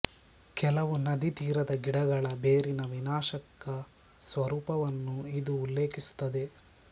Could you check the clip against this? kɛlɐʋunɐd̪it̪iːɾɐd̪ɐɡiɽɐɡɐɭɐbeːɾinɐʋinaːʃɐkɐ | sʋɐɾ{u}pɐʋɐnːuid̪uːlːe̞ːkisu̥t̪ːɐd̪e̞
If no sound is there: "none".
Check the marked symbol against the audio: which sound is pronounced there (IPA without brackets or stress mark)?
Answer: uː